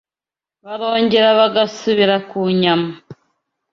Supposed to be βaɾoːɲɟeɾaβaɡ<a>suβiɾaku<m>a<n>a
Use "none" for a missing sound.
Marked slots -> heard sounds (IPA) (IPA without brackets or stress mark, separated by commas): a, ɲ, m